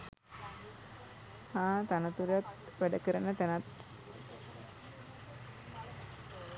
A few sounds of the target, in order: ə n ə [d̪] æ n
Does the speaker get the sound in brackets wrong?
yes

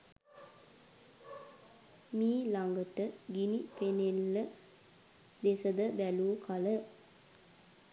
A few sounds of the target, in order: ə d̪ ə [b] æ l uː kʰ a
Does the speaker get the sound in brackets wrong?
no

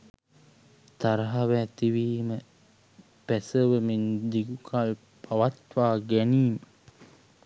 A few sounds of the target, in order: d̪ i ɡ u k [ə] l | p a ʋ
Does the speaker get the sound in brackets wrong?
yes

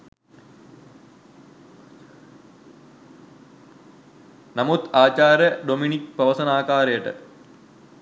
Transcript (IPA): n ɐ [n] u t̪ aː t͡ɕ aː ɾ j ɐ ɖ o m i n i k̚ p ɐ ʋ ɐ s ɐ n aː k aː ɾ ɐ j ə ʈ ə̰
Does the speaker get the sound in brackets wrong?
yes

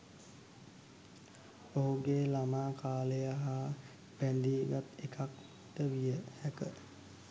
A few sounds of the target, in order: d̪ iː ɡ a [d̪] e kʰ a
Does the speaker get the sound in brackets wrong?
yes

